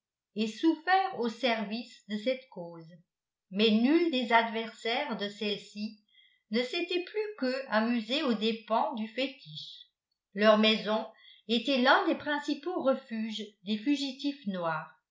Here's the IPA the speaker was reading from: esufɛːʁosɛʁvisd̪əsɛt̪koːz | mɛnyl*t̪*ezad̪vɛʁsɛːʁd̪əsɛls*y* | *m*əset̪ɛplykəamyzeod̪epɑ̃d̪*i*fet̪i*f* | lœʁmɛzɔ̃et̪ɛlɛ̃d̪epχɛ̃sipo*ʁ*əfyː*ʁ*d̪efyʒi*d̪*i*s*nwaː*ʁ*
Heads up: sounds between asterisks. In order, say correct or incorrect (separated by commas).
incorrect, incorrect, incorrect, incorrect, incorrect, correct, incorrect, incorrect, incorrect, correct